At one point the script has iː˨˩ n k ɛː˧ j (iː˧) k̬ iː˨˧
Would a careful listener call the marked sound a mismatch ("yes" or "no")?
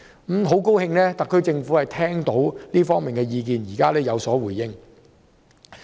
no